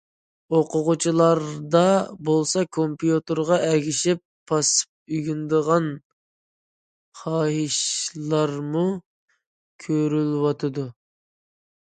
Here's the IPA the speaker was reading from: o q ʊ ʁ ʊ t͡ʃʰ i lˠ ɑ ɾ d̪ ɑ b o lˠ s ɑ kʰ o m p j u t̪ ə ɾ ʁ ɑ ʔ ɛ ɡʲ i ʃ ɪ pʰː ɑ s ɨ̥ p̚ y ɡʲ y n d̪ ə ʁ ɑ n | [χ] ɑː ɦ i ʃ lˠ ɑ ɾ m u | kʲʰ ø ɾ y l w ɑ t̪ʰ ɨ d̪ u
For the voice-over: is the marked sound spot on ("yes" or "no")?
yes